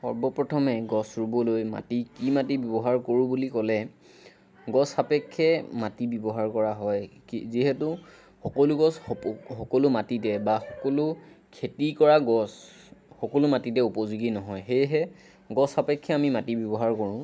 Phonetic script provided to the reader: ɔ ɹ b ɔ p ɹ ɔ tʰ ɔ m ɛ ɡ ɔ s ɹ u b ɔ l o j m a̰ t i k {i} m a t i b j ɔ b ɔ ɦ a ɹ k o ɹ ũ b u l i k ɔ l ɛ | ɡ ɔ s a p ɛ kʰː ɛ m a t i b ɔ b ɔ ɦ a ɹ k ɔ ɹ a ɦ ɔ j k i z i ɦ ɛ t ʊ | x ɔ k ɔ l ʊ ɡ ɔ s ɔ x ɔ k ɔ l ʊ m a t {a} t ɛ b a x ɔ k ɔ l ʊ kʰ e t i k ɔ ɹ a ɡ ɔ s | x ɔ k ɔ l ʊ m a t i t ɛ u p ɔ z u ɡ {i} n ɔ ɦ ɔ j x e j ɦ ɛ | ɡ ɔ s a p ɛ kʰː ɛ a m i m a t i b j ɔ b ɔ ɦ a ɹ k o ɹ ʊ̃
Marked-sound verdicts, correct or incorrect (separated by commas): correct, incorrect, correct